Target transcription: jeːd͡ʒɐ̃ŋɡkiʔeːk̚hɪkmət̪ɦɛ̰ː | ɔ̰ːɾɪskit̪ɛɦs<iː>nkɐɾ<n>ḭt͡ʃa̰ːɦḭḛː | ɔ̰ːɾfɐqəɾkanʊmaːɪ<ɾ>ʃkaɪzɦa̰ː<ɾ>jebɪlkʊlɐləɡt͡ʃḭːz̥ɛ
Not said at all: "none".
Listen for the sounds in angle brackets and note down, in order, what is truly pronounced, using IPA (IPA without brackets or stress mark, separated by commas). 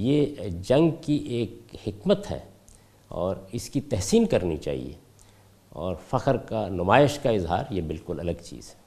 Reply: iː, n, none, ɾ